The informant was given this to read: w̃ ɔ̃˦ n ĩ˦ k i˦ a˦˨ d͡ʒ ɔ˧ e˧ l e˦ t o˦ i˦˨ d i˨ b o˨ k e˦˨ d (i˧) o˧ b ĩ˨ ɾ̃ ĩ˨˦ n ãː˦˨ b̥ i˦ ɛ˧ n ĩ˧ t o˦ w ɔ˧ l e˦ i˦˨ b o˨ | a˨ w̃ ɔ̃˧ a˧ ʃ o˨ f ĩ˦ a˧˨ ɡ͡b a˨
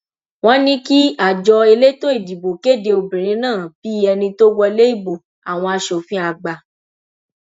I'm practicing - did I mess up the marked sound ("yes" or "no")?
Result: yes